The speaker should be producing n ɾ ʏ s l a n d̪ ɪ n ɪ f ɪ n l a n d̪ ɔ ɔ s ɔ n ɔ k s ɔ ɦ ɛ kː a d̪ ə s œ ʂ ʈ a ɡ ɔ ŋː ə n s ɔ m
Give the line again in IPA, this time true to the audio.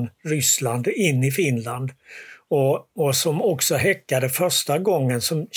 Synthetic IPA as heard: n ɾ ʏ s l a n d̪ ɪ nː ɪ f ɪ n l a n d̪ ɔ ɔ s ɔ m ɔ k s ɔ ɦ ɛ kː a d̪ ə f œ ʂ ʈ a ɡ ɔ ŋː ə n s ɔ m